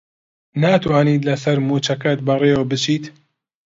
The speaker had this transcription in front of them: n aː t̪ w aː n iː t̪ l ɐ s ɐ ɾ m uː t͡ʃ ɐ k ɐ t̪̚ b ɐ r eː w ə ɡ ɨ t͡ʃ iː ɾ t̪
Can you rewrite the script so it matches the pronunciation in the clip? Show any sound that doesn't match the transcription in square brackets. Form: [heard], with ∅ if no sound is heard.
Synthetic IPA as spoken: n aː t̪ w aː n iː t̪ l ɐ s ɐ ɾ m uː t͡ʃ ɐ k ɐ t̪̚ b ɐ r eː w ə [b] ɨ t͡ʃ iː [∅] t̪